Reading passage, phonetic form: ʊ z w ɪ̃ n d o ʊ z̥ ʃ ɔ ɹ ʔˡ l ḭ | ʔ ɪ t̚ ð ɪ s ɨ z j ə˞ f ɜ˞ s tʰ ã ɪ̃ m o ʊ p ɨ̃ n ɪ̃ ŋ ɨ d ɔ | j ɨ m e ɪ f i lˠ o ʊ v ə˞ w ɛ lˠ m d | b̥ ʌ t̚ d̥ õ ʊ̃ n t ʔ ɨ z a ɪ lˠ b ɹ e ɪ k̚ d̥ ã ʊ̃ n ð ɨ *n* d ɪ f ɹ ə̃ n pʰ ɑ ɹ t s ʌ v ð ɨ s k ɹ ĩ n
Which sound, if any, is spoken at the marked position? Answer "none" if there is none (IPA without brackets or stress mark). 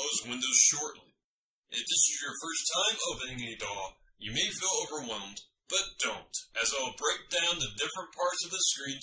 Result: none